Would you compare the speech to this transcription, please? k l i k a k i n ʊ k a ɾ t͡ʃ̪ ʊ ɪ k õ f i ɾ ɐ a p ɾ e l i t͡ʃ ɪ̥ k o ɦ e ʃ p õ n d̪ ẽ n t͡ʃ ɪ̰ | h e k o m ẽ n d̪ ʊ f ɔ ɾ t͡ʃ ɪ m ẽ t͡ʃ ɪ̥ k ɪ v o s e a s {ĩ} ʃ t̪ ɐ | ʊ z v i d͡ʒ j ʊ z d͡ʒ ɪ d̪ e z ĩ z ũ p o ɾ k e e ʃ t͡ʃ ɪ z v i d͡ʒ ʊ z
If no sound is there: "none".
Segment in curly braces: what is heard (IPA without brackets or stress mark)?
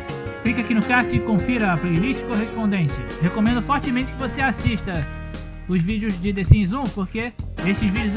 i